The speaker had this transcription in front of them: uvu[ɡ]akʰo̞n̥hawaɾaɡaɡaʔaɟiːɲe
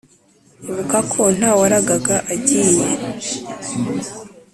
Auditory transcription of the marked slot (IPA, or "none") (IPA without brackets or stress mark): k